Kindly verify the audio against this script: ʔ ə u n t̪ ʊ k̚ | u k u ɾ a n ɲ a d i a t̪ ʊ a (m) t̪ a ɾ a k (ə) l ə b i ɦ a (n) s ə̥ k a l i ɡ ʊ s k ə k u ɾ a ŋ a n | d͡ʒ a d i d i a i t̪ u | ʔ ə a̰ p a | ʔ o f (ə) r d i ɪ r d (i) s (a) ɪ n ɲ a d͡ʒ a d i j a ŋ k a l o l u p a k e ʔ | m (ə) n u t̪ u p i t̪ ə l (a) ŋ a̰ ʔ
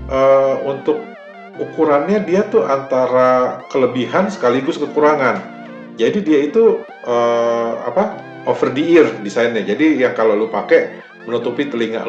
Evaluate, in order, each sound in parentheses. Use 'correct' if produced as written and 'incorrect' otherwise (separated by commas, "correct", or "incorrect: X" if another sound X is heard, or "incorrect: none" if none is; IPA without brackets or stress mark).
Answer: incorrect: n, correct, correct, correct, correct, correct, correct, incorrect: i